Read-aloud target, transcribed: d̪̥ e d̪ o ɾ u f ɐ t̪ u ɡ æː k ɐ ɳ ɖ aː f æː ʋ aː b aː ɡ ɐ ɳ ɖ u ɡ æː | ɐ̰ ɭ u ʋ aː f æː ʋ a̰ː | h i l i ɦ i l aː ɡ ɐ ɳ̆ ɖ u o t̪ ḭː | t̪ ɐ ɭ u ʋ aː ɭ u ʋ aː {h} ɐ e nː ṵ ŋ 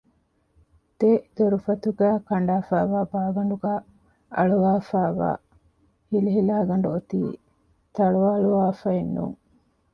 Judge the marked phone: incorrect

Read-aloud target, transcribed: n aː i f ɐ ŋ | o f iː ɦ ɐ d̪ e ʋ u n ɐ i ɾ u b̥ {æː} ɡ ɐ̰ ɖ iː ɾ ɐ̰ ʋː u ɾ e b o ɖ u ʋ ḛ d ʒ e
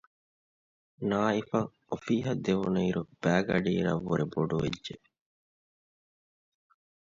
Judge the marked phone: correct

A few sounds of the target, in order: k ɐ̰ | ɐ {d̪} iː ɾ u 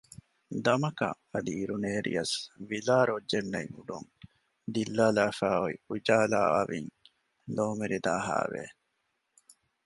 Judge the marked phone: correct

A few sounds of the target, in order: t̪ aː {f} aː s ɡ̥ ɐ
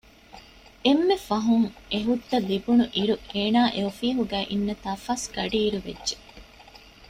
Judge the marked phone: correct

